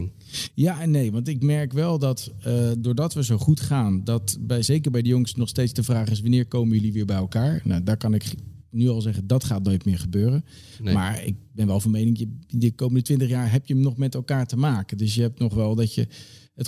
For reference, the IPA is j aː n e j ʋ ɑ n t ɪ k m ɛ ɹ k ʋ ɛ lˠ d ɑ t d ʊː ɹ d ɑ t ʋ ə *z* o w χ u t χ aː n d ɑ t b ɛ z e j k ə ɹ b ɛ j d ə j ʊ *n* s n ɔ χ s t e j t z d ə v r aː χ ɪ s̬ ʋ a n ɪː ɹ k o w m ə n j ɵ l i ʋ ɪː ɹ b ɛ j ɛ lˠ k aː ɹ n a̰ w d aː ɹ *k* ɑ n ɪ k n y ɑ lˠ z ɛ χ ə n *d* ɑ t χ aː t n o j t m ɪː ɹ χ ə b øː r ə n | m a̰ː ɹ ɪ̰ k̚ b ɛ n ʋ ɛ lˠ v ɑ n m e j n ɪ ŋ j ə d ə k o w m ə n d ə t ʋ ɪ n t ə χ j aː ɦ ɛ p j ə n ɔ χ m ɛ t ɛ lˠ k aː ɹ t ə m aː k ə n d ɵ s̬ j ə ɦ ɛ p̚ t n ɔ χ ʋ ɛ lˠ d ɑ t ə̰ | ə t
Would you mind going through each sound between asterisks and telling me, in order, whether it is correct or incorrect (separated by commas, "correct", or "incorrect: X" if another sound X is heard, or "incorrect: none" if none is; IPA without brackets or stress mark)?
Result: correct, incorrect: ŋ, correct, correct